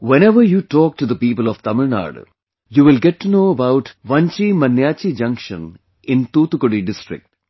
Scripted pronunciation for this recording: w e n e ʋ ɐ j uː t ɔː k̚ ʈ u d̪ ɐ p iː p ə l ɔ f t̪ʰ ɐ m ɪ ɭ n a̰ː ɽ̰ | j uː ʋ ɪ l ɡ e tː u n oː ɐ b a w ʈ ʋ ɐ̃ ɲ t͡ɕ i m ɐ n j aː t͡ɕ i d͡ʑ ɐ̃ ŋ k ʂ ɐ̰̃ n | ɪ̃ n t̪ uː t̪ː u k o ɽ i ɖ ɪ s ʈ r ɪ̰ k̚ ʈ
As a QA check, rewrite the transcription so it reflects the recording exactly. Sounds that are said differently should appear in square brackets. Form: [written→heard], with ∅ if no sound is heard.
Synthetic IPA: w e n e ʋ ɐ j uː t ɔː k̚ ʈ u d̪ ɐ p iː p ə l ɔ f [t̪ʰ→t̪] ɐ m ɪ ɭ n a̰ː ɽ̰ | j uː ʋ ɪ l ɡ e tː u n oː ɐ b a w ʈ ʋ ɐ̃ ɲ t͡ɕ i m ɐ n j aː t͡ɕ i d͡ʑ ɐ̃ ŋ k ʂ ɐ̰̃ n | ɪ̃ n t̪ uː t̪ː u k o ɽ i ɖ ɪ s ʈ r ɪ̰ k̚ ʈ